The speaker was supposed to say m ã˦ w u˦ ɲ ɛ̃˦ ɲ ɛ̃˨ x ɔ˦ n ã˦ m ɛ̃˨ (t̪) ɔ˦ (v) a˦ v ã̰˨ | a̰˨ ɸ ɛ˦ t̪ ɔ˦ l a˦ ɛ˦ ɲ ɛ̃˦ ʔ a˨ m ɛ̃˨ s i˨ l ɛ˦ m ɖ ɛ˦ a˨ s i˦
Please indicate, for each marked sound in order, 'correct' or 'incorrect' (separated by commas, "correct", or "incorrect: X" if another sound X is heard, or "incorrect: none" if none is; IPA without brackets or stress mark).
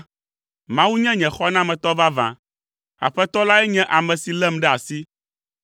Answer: correct, correct